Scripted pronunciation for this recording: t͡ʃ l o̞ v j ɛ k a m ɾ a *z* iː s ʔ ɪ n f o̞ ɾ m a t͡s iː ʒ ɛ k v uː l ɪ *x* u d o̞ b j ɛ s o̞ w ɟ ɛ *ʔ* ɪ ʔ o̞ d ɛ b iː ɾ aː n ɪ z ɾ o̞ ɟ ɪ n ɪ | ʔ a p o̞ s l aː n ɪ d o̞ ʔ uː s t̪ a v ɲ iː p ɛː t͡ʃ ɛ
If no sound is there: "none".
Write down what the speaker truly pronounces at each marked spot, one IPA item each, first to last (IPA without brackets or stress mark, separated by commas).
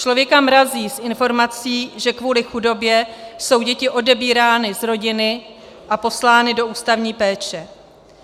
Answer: z, x, c